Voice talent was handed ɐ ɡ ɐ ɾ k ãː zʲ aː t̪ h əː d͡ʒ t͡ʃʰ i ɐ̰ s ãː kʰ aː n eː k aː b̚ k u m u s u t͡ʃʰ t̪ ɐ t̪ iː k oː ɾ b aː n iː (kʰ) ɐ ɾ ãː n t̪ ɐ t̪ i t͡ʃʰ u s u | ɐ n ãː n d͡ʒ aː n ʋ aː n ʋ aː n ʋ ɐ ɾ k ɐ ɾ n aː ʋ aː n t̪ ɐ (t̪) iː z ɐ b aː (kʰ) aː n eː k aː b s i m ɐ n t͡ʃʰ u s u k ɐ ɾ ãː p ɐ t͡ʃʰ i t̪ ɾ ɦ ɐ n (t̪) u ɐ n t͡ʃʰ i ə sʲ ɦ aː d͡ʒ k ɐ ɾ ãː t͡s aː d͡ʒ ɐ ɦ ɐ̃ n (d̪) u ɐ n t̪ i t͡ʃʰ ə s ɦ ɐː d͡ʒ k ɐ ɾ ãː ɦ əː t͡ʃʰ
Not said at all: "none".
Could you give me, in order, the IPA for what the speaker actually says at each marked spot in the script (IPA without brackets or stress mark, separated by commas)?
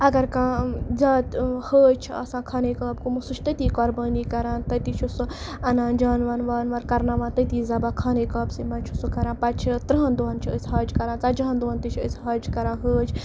k, t̪, kʰ, d̪, d̪